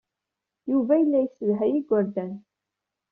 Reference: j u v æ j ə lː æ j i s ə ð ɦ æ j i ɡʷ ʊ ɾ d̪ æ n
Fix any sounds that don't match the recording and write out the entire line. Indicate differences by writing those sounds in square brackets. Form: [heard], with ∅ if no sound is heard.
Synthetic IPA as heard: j u v æ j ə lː æ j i s ə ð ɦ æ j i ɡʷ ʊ ɾ d̪ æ n

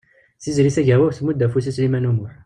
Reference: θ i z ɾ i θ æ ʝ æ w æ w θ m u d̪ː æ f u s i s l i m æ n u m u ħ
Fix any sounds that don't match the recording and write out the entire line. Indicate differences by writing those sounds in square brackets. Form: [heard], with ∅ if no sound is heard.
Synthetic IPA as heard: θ i z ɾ i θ æ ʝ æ w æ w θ m u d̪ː æ f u s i s l i m æ n u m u ħ

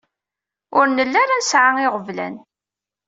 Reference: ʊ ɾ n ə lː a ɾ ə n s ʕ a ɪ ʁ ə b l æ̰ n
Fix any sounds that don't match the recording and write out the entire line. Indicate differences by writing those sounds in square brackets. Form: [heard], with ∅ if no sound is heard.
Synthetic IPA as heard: ʊ ɾ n ə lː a ɾ [a] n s ʕ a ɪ ʁ ə [v] l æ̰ n

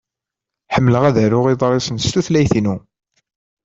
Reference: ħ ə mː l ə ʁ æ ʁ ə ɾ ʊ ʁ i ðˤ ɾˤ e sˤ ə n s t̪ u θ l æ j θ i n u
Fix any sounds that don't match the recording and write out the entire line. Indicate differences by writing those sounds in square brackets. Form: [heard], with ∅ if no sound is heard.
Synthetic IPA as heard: ħ ə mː l ə ʁ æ [ð] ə ɾ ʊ ʁ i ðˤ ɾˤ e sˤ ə n s t̪ u θ l æ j θ i n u

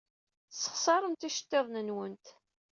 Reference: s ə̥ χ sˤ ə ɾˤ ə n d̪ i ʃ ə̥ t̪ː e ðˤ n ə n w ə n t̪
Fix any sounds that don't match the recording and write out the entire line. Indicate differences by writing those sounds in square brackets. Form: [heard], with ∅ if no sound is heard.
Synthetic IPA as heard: s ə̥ χ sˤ [ɑ] ɾˤ ə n [t̪] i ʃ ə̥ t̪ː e ðˤ n ə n w ə n t̪

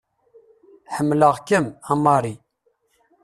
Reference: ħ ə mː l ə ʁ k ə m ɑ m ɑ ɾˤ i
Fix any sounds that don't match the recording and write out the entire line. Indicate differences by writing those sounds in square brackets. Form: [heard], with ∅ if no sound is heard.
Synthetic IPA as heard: ħ ə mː l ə ʁ k ə m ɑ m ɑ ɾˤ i

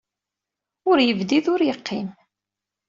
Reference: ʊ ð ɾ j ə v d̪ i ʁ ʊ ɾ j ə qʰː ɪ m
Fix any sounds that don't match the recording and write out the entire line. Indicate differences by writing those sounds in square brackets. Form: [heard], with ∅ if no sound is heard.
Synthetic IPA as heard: ʊ [∅] ɾ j ə v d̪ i [ð] ʊ ɾ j ə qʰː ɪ m

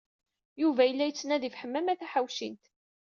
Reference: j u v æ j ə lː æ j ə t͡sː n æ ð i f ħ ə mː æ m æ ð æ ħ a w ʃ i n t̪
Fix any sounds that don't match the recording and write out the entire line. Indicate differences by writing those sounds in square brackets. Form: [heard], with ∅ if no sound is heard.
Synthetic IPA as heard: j u v æ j ə lː æ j ə t͡sː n æ ð i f ħ ə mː æ m æ [θ] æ ħ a w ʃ i n t̪

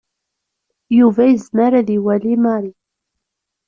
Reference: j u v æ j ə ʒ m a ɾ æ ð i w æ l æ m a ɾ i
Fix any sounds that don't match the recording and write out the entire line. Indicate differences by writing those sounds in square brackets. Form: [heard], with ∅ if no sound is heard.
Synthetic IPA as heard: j u v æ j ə [z] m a ɾ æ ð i w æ l [i] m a ɾ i

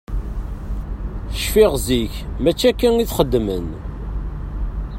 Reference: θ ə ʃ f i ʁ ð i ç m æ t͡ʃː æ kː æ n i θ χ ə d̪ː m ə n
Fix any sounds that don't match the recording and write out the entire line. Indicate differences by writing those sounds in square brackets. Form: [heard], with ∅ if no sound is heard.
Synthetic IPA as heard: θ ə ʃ f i ʁ [z] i ç m æ t͡ʃː æ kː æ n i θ χ ə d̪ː m ə n

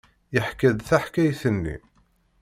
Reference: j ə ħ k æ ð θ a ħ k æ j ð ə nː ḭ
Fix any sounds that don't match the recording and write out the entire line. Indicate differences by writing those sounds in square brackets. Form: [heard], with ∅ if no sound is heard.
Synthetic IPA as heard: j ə ħ k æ ð θ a ħ k æ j [θ] ə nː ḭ

